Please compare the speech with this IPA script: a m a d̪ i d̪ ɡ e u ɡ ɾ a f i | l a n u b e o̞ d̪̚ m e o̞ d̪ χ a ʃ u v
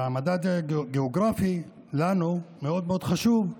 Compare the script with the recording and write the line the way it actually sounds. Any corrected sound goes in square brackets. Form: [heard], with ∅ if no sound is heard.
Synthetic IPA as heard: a m a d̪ [a] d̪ ɡ e [o] ɡ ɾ a f i | l a n u [m] e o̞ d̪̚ m e o̞ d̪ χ a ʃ u v